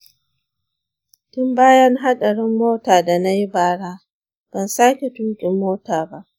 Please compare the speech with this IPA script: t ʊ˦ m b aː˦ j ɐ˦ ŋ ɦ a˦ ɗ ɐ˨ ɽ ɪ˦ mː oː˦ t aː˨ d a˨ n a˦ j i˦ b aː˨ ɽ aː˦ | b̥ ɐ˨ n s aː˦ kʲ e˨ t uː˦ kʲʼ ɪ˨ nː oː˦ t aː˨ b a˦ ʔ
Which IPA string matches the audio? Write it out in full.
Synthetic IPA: t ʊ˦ m b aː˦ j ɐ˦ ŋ ɦ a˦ ɗ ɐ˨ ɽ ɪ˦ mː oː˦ t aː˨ d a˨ n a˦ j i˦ b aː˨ ɽ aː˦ | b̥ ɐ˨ n s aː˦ kʲ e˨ t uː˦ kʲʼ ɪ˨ mː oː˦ t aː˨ b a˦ ʔ